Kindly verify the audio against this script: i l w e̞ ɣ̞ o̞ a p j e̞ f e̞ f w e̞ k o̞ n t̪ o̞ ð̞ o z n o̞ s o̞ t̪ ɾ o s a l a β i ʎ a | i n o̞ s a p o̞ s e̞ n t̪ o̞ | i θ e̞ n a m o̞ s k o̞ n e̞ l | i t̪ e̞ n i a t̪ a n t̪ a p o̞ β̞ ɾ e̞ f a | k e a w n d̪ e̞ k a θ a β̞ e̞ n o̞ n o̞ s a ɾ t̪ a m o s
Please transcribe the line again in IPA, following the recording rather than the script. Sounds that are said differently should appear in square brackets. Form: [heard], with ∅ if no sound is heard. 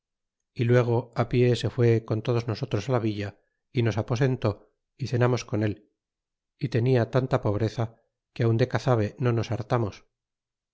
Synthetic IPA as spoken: i l w e̞ ɣ̞ o̞ a p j e̞ [s] e̞ f w e̞ k o̞ n t̪ o̞ ð̞ o z n o̞ s o̞ t̪ ɾ o s a l a β i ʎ a | i n o̞ s a p o̞ s e̞ n t̪ o̞ | i θ e̞ n a m o̞ s k o̞ n e̞ l | i t̪ e̞ n i a t̪ a n t̪ a p o̞ β̞ ɾ e̞ [θ] a | k e a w n d̪ e̞ k a θ a β̞ e̞ n o̞ n o̞ s a ɾ t̪ a m o s